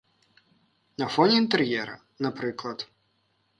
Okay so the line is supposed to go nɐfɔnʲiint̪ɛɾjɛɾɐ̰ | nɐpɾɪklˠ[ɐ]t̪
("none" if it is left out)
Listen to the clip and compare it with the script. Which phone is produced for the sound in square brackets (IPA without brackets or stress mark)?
ɐ